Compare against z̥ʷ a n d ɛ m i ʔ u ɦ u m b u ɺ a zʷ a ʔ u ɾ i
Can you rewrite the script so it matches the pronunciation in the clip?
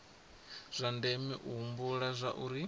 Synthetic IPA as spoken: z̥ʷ a n d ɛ m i ʔ u ɦ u m b u ɺ a zʷ a ʔ u ɾ i